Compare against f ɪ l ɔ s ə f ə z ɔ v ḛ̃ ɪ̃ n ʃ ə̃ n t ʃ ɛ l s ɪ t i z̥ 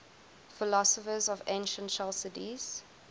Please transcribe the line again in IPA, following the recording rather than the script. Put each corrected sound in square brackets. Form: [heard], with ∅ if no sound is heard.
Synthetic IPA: f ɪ l ɔ s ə f ə z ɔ v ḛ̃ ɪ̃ n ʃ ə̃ n t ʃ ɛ l s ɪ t i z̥